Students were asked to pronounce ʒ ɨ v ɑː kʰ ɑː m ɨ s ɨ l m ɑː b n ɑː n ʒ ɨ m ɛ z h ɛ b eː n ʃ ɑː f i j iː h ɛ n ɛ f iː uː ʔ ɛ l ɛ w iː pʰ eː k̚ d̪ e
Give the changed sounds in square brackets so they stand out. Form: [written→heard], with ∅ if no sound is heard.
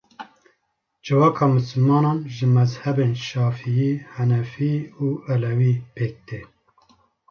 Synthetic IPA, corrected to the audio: [ʒ→d͡ʒ] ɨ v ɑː kʰ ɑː m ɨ s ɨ l m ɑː [b→∅] n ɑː n ʒ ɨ m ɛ z h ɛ b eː n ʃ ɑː f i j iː h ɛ n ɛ f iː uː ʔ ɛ l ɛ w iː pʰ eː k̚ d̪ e

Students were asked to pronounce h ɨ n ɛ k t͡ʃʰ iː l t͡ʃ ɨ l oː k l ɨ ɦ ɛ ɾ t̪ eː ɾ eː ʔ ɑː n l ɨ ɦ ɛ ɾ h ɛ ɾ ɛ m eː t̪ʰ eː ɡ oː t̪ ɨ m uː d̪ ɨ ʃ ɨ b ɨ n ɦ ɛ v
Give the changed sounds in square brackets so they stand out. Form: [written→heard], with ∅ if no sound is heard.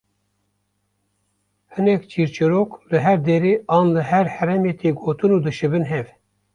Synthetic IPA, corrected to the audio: h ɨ n ɛ k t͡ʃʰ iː [l→ɾ] t͡ʃ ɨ [l→ɾ] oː k l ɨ ɦ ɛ ɾ [t̪→d̪] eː ɾ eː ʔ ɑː n l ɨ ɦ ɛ ɾ h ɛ ɾ ɛ m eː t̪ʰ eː ɡ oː t̪ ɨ [m→n] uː d̪ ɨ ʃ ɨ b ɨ n ɦ ɛ v

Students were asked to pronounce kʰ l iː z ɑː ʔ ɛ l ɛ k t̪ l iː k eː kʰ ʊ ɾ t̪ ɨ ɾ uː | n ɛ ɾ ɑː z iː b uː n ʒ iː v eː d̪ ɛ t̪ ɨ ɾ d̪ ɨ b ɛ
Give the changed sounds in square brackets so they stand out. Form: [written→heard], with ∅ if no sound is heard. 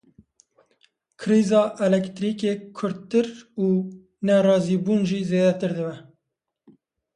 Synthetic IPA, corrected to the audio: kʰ [l→ɾ] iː z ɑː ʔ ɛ l ɛ k t̪ [l→ɾ] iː k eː kʰ ʊ ɾ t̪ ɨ ɾ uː | n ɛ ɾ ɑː z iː b uː n ʒ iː [v→z] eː d̪ ɛ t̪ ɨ ɾ d̪ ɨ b ɛ

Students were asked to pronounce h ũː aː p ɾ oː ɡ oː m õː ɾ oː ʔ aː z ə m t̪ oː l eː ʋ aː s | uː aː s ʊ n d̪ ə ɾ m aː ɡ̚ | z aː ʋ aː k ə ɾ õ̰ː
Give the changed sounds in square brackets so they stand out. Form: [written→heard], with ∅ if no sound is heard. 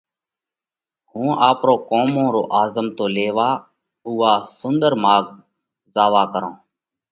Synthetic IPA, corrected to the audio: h ũː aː p ɾ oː [ɡ→k] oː m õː ɾ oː ʔ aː z ə m t̪ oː l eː ʋ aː [s→∅] | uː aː s ʊ n d̪ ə ɾ m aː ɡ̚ | z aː ʋ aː k ə ɾ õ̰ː

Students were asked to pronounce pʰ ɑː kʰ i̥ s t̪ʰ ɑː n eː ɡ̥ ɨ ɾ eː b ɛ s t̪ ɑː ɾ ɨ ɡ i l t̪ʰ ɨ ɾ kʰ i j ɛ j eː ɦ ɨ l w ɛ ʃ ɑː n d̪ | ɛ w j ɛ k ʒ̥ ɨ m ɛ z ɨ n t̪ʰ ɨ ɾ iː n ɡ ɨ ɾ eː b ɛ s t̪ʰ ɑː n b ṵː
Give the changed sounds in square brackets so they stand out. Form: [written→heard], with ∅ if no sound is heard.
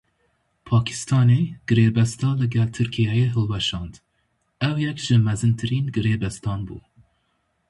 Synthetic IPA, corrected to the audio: pʰ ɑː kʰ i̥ s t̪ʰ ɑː n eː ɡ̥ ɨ ɾ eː b ɛ s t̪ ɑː [ɾ→l] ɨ ɡ [i→ɛ] l t̪ʰ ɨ ɾ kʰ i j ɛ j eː ɦ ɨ l w ɛ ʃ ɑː n d̪ | ɛ w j ɛ k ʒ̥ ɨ m ɛ z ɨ n t̪ʰ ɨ ɾ iː n ɡ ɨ ɾ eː b ɛ s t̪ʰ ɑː n b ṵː

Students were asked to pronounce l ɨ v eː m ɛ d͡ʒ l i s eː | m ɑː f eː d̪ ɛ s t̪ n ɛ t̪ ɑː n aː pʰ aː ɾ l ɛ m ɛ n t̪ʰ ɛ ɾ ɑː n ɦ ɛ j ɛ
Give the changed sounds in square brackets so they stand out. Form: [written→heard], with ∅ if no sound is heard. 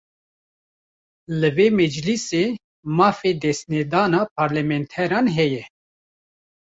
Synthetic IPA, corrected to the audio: l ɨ v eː m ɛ d͡ʒ l i s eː | m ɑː f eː d̪ ɛ s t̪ n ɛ [t̪→d̪] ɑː n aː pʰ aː ɾ l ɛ m ɛ n t̪ʰ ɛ ɾ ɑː n ɦ ɛ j ɛ

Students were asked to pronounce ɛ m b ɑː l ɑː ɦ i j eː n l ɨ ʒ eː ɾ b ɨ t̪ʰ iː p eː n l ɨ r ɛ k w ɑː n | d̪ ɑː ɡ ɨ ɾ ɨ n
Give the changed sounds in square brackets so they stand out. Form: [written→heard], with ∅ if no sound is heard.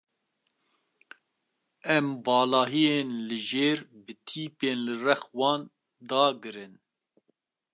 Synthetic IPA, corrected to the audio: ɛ m b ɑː l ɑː ɦ i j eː n l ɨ ʒ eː ɾ b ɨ t̪ʰ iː p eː n l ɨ r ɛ [k→x] w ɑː n | d̪ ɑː ɡ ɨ ɾ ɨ n

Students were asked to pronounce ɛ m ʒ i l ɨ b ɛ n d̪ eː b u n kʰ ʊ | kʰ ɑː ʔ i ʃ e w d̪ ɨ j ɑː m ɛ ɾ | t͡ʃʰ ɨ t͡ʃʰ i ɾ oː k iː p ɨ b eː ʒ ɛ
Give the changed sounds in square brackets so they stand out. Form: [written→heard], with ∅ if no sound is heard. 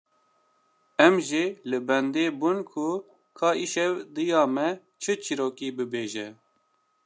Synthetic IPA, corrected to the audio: ɛ m ʒ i l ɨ b ɛ n d̪ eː b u n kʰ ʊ | kʰ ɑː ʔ i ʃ [e→ɛ] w d̪ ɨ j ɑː m ɛ [ɾ→∅] | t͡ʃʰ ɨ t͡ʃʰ i ɾ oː k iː [p→b] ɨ b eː ʒ ɛ

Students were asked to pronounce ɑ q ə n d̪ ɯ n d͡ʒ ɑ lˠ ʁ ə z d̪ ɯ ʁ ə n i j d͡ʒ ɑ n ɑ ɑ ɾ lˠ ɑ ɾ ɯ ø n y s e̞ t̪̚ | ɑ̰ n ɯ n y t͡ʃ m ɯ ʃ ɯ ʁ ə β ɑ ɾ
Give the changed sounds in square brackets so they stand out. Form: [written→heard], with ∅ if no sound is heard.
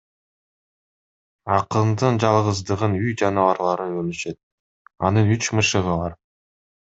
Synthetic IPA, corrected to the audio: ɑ q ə n d̪ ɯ n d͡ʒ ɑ lˠ ʁ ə z d̪ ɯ ʁ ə n [i→y] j d͡ʒ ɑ n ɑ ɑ ɾ lˠ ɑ ɾ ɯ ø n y [s→ʃ] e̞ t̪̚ | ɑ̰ n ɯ n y t͡ʃ m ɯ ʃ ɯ ʁ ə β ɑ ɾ

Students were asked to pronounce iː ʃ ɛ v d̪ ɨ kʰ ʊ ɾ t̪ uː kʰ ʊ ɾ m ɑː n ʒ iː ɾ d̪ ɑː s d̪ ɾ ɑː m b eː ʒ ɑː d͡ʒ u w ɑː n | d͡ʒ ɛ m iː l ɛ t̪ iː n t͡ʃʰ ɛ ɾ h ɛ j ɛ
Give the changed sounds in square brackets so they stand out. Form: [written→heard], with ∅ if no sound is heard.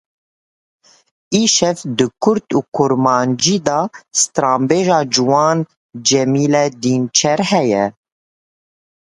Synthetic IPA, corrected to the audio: iː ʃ ɛ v d̪ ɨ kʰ ʊ ɾ t̪ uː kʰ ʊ ɾ m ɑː n [ʒ→d͡ʒ] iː [ɾ→∅] d̪ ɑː s [d̪→t̪] ɾ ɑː m b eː ʒ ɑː d͡ʒ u w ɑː n | d͡ʒ ɛ m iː l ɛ [t̪→d̪] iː n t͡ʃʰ ɛ ɾ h ɛ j ɛ

